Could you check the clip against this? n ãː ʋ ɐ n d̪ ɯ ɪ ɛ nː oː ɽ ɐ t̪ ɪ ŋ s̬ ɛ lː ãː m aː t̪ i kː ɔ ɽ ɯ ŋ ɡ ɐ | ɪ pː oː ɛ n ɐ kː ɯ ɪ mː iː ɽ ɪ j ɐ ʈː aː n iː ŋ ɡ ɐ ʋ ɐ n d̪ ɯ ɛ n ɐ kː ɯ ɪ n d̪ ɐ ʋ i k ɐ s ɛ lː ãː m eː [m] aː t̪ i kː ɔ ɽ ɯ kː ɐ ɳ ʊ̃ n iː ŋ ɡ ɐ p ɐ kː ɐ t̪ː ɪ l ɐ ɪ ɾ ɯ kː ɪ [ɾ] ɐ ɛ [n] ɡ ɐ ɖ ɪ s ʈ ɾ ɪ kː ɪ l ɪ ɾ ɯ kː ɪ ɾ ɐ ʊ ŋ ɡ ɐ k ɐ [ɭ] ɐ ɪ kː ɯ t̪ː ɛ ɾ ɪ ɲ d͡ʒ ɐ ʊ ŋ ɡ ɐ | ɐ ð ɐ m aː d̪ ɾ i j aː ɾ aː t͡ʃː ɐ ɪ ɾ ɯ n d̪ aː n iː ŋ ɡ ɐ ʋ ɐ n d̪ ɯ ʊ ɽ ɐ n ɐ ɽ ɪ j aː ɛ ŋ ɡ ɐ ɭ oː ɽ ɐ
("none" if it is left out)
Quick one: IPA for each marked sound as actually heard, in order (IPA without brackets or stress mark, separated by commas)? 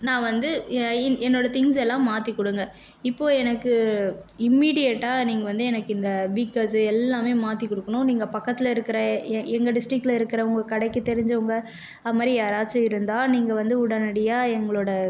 m, ɾ, ŋ, ɽ